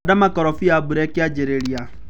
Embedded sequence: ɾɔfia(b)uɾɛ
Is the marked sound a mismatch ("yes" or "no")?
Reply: no